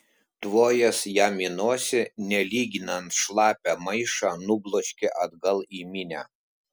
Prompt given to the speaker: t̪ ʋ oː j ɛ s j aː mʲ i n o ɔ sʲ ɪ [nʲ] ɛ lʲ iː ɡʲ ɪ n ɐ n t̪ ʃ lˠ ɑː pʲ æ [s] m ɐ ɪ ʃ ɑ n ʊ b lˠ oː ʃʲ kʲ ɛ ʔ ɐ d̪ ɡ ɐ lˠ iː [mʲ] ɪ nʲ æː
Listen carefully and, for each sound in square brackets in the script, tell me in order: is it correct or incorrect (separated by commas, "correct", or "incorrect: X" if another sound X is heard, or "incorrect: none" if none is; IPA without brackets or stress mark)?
correct, incorrect: none, correct